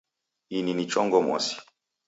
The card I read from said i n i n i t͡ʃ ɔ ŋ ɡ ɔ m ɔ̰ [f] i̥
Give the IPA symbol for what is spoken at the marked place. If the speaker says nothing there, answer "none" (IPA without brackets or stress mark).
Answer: s